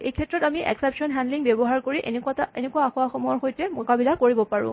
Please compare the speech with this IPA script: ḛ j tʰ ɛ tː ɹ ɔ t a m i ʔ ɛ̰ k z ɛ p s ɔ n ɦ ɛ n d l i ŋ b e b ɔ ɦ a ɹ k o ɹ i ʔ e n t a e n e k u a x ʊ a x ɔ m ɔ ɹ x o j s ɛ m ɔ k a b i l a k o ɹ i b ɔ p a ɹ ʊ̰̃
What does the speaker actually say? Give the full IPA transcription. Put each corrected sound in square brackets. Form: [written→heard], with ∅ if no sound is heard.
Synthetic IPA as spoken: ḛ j [tʰ→kʰ] ɛ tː ɹ ɔ t a m i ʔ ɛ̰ k [z→s] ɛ p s ɔ n ɦ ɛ n d l i ŋ b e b ɔ ɦ a ɹ k o ɹ i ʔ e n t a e n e k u a x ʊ a x ɔ m ɔ ɹ x o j [s→t] ɛ m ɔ k a b i l a k o ɹ i b ɔ p a ɹ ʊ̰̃

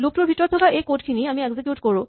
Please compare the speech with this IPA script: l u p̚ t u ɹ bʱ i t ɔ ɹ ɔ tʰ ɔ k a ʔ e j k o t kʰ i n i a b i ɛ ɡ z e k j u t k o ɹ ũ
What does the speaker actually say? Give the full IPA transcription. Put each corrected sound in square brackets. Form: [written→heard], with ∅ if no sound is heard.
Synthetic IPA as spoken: l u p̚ t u ɹ bʱ i t ɔ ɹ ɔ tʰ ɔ k a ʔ e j k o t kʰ i n i a [b→m] i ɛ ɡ z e k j u t k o ɹ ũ

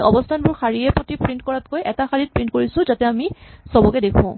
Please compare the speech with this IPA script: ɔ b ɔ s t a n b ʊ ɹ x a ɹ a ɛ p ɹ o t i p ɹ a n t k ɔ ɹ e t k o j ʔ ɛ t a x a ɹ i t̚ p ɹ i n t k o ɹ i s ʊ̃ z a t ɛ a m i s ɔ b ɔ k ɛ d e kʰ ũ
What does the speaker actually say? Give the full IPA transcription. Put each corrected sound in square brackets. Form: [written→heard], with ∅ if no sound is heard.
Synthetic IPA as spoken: ɔ b ɔ s [t→tʰ] a n b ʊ ɹ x a ɹ [a→i] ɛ p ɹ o t i p ɹ [a→i] n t k ɔ ɹ [e→a] t k o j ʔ ɛ t a x a ɹ i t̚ p ɹ i n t k o ɹ i s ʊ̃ z a t ɛ a m i s ɔ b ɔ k ɛ d e kʰ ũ

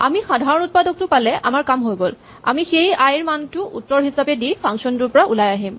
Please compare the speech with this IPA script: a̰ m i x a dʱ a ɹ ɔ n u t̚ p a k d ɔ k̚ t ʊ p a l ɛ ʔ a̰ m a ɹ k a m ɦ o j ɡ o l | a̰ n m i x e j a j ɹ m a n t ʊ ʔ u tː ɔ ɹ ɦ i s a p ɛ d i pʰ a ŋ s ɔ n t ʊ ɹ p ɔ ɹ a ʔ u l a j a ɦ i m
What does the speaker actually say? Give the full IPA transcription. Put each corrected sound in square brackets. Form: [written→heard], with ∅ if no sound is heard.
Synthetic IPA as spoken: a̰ m i x a dʱ a ɹ ɔ n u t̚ p a [k→∅] d ɔ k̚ t ʊ p a l ɛ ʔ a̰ m a ɹ k a m ɦ o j ɡ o l | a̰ [n→∅] m i x e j a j ɹ m a n t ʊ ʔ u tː ɔ ɹ ɦ i s a p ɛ d i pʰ a ŋ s ɔ n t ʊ ɹ p ɔ ɹ a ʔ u l a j a ɦ i m

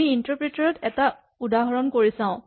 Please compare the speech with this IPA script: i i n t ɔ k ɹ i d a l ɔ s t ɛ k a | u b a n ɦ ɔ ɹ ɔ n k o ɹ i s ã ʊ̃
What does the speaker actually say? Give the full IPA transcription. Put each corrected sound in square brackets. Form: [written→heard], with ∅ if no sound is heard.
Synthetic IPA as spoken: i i n t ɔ [k→p] ɹ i [d→t] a [l→ɹ] ɔ [s→∅] t ɛ [k→t] a | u [b→d] a [n→∅] ɦ ɔ ɹ ɔ n k o ɹ i s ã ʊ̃

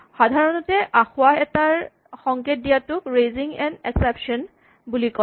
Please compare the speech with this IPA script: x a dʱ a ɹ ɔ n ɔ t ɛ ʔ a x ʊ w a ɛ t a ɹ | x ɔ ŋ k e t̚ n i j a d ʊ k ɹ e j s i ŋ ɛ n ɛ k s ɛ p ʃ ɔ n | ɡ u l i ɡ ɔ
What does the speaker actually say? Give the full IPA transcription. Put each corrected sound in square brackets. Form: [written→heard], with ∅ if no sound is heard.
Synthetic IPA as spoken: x a dʱ a ɹ ɔ n ɔ t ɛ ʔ a x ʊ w a ɛ t a ɹ | x ɔ ŋ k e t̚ [n→d] i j a [d→t] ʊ k ɹ e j [s→z] i ŋ ɛ n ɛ k s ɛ p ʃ ɔ n | [ɡ→b] u l i [ɡ→k] ɔ

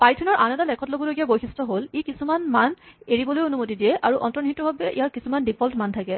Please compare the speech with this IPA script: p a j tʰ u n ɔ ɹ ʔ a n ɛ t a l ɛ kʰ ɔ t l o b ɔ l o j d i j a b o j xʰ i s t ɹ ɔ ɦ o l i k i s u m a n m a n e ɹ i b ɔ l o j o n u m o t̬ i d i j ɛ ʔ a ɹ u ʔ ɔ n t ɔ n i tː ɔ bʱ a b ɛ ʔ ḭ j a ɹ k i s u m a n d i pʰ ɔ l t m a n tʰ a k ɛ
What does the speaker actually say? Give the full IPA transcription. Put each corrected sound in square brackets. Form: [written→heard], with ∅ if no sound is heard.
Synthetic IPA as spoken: p a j tʰ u n ɔ ɹ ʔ a n ɛ t a l ɛ kʰ ɔ t l o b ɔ l o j [d→ɡ] i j a b o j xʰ i s t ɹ ɔ ɦ o l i k i s u m a n m a n e ɹ i b ɔ l o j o n u m o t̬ i d i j ɛ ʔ a ɹ u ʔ ɔ n t ɔ n i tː ɔ bʱ a b ɛ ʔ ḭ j a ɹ k i s u m a n d i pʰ ɔ l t m a n tʰ a k ɛ

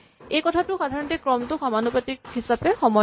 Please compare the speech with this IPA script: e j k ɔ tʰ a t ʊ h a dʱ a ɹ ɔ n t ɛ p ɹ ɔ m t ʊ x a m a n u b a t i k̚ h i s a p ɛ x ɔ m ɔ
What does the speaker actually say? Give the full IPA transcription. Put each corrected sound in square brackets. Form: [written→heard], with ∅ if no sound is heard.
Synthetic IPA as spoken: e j k ɔ tʰ a t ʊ [h→x] a dʱ a ɹ ɔ n t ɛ [p→k] ɹ ɔ m t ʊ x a m a n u [b→p] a t i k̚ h i s a p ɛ x ɔ m ɔ

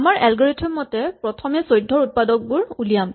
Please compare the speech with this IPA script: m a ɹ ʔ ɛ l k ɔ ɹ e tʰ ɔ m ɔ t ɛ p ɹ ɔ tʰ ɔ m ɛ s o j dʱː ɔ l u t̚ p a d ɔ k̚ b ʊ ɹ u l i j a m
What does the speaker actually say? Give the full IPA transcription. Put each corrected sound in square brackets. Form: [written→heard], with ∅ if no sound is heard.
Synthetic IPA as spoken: m a ɹ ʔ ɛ l [k→ɡ] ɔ ɹ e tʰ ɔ m ɔ t ɛ p ɹ ɔ tʰ ɔ m ɛ s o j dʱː ɔ [l→ɹ] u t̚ p a d ɔ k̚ b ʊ ɹ u l i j a m

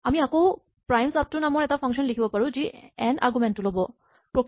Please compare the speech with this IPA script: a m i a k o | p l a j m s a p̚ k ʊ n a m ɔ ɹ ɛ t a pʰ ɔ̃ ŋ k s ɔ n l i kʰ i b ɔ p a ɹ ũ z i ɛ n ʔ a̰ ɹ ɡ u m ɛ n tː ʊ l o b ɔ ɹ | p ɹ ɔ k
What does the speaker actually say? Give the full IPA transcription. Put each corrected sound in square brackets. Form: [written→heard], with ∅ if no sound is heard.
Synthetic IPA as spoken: a m i a k o | p [l→ɹ] a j m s a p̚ [k→t] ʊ n a m ɔ ɹ ɛ t a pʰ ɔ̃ ŋ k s ɔ n l i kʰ i b ɔ p a ɹ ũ z i ɛ n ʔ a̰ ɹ ɡ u m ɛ n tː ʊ l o b ɔ [ɹ→∅] | p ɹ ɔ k

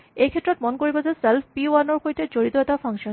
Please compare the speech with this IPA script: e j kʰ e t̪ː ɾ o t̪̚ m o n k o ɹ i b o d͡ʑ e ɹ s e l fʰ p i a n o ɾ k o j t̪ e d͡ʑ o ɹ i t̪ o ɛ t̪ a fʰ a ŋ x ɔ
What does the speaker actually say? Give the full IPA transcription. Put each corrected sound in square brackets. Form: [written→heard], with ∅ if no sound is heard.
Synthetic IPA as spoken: e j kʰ e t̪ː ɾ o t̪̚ m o n k o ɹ i b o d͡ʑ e [ɹ→∅] s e l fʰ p i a n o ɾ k o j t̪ e d͡ʑ o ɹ i t̪ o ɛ t̪ a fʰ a ŋ [x→ʃ] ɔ

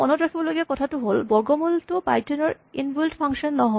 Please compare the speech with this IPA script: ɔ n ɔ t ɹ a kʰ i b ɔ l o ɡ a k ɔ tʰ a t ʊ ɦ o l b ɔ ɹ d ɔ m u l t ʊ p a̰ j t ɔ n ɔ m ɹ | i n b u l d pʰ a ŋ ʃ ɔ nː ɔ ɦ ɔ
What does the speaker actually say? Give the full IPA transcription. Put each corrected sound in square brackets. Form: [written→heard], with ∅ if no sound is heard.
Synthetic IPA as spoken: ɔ n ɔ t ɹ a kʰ i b ɔ l o ɡ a k ɔ tʰ a t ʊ ɦ o l b ɔ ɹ [d→ɡ] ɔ m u l t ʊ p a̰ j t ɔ n ɔ [m→∅] ɹ | i n b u l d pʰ a ŋ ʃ ɔ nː ɔ ɦ ɔ

